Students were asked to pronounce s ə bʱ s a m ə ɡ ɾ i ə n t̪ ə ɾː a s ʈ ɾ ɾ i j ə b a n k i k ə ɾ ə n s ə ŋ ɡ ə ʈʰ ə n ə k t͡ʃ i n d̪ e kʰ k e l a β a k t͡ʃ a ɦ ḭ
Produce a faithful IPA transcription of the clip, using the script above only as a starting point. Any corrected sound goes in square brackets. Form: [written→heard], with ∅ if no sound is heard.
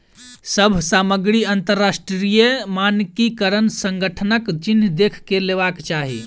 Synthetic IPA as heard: s ə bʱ s a m ə ɡ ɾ i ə n t̪ ə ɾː a s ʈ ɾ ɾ i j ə [b→m] a n k i k ə ɾ ə n s ə ŋ ɡ ə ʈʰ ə n ə k t͡ʃ i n d̪ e kʰ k e l [a→e] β a k t͡ʃ a ɦ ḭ